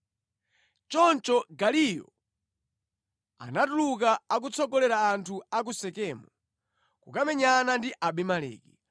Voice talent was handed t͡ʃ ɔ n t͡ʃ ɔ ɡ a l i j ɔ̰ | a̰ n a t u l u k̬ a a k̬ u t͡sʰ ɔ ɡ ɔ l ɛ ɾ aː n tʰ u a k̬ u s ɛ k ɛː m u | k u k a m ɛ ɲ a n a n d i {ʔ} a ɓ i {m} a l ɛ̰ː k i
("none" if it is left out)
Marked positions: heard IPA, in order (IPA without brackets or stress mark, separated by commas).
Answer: ʔ, m